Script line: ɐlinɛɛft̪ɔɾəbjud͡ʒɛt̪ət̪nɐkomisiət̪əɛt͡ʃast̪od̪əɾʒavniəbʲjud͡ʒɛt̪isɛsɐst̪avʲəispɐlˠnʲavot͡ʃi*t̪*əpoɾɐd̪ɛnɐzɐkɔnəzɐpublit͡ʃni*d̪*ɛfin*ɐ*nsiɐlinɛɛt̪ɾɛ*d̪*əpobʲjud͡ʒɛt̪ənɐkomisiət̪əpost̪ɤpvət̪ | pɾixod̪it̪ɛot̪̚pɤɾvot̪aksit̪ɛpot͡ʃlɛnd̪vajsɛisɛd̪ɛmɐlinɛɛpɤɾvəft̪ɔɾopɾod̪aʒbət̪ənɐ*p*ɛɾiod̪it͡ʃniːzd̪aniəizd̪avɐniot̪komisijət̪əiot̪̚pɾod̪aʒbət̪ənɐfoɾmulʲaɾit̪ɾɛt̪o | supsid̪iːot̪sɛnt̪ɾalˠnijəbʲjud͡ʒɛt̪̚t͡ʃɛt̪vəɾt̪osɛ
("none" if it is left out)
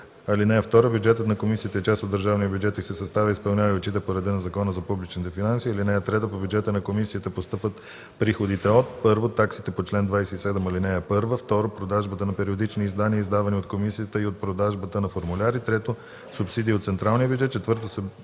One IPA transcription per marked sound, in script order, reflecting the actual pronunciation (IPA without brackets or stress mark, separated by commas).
t̪, t̪, a, t̪, p